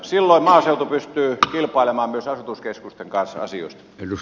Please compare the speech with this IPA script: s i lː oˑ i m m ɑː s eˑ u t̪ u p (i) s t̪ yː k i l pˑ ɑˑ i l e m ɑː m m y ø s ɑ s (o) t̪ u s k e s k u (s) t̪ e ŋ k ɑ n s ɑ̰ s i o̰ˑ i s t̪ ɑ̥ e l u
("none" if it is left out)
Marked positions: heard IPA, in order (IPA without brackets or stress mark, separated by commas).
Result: y, u, s